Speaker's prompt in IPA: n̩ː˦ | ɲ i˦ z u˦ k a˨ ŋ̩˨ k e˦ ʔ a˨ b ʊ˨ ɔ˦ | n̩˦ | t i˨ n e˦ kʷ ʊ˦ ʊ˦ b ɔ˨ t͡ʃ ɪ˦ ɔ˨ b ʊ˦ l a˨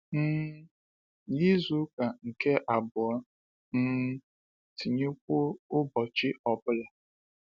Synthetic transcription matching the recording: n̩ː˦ | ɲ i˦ z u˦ k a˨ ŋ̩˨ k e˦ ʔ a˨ b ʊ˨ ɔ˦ | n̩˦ | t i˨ ɲ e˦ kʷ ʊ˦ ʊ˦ b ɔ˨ t͡ʃ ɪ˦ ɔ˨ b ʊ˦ l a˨